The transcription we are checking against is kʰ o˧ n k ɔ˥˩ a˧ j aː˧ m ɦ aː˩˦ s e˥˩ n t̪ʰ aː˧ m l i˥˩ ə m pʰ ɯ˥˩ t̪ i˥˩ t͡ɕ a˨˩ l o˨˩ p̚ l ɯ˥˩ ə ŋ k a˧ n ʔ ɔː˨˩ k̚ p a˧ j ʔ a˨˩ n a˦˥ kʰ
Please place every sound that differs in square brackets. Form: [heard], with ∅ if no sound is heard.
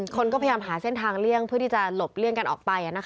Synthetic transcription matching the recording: kʰ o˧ n k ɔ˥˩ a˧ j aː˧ m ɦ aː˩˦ s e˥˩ n t̪ʰ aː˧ [ŋ] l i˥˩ ə [ŋ] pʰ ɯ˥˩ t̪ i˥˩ t͡ɕ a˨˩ l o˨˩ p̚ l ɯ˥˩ ə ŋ k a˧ n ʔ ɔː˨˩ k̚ p a˧ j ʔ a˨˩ n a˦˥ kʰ